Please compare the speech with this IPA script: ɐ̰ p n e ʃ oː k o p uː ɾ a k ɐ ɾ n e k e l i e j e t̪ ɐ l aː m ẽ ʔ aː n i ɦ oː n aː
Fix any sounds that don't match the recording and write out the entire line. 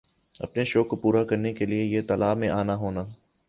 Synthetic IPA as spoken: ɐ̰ p n e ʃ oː k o p uː ɾ a k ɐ ɾ n e k e l i e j e t̪ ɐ l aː m ẽ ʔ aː n a ɦ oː n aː